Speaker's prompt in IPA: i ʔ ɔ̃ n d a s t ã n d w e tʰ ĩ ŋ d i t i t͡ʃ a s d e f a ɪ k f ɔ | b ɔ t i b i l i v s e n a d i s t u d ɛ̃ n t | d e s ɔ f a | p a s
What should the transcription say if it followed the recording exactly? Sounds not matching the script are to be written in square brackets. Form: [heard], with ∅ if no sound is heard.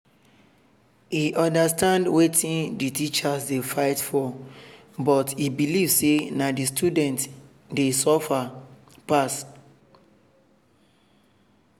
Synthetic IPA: i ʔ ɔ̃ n d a s t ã n d w e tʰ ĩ [n] d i t i t͡ʃ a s d e f a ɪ [t] f ɔ | b ɔ t i b i l i v s e n a d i s t u d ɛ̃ n t | d e s ɔ f a | p a s